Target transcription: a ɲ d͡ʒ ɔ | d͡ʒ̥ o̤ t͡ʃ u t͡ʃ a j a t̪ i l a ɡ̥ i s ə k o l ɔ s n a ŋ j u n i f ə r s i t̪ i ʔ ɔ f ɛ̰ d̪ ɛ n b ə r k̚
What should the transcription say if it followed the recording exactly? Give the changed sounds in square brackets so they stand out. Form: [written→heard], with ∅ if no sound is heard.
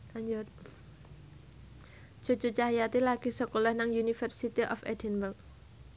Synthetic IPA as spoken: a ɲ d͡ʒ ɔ | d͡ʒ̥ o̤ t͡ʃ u t͡ʃ a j a t̪ i l a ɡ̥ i s ə k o l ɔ [s→h] n a ŋ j u n i f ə r s i t̪ i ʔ ɔ f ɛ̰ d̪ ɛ n b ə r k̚